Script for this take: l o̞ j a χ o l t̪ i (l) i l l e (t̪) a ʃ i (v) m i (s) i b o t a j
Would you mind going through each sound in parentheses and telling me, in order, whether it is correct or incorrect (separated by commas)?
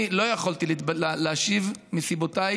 correct, incorrect, correct, correct